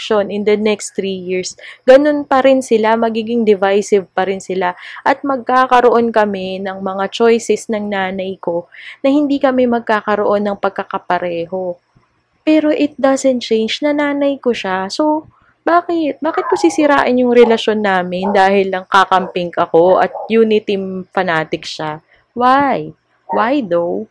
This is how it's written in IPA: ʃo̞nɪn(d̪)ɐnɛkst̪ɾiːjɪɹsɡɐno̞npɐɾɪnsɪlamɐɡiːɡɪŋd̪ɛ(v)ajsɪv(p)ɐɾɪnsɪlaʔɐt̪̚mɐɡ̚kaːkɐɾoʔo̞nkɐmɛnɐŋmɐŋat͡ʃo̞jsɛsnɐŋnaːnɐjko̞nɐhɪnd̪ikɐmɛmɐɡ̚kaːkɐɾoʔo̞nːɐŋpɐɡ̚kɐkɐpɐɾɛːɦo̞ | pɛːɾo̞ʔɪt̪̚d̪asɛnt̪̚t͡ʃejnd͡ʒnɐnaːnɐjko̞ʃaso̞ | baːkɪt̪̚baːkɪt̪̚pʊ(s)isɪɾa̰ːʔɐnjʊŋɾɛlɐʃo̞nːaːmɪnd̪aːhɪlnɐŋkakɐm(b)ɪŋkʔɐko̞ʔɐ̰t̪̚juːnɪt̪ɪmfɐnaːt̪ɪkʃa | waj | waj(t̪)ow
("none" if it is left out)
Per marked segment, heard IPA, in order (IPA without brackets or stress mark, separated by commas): d̪, v, p, s, p, d̪